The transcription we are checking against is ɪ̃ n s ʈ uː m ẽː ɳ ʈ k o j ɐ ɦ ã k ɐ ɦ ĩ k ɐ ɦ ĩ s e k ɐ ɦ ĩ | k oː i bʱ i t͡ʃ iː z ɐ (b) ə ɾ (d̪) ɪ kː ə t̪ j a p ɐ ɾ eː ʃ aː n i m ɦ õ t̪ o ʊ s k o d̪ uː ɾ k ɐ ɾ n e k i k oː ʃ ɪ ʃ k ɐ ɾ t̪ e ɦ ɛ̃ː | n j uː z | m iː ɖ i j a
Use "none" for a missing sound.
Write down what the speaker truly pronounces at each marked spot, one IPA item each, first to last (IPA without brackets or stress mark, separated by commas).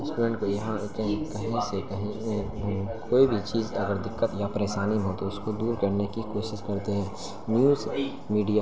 ɡ, d̪